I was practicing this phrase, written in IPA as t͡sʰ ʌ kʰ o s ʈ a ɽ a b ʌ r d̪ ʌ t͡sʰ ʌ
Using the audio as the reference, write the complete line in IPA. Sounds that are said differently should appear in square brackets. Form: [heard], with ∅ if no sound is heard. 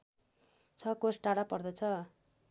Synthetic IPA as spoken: t͡sʰ ʌ [k] o s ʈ a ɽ a [p] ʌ r d̪ ʌ t͡sʰ ʌ

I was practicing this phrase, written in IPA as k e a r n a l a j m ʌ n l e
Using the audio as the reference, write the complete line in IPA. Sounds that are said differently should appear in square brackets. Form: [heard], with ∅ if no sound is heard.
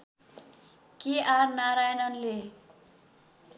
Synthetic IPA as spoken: k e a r n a [ɾ] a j [n] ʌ n l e

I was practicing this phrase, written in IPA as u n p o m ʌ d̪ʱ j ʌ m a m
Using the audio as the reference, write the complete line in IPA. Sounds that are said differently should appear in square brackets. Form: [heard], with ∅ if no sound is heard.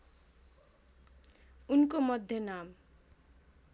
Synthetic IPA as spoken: u n [k] o m ʌ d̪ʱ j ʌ [n] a m

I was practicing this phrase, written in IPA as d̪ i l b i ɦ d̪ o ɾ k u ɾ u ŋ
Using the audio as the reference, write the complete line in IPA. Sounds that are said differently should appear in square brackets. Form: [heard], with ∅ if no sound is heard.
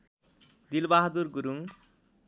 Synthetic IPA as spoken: d̪ i l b [a] ɦ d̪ [u] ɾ [ɡ] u ɾ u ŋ

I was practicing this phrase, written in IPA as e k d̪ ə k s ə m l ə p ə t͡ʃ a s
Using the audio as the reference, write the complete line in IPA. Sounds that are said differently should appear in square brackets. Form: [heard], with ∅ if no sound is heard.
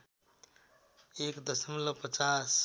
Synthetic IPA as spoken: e k d̪ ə [∅] s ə m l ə p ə t͡ʃ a s

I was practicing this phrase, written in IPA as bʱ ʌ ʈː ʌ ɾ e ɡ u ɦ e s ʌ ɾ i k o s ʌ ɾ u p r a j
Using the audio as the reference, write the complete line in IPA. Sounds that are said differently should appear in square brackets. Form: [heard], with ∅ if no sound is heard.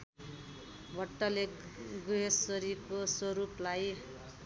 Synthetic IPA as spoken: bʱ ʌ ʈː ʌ [l] e ɡ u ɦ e s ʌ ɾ i k o s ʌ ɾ u p [l] a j

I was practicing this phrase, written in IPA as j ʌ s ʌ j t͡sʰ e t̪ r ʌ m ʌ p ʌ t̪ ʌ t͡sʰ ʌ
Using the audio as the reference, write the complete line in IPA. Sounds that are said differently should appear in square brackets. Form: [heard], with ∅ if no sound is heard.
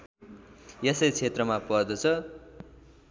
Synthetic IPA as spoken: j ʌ s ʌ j t͡sʰ e t̪ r ʌ m [a] p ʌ [d̪] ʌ t͡sʰ ʌ

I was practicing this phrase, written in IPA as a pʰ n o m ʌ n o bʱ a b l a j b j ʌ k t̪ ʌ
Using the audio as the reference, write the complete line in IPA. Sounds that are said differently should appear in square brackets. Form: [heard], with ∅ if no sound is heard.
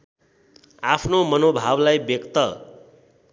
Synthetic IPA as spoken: a pʰ n o m ʌ n o bʱ a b l a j b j ʌ k t̪ ʌ

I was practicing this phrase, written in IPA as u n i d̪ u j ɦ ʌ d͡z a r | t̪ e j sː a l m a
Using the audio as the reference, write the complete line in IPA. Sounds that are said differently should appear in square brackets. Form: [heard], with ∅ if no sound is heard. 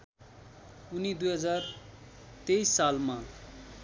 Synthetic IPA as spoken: u n i d̪ u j ɦ ʌ d͡z a r | t̪ e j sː a l m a

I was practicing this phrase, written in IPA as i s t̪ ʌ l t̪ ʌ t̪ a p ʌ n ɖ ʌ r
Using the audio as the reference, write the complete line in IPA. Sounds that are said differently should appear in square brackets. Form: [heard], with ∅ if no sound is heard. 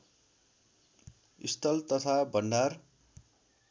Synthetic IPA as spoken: i s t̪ ʌ l t̪ ʌ [t̪ʰ] a [b] ʌ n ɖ [a] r

